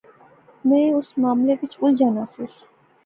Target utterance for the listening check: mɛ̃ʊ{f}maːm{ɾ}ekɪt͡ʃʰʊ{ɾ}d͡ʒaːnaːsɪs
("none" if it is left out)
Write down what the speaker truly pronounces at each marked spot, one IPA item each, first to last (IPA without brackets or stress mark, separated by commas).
s, l, l